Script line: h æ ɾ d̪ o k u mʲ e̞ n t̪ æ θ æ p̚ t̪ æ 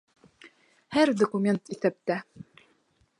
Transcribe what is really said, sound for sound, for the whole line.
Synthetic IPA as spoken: h æ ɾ d̪ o k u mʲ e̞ n t̪ i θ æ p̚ t̪ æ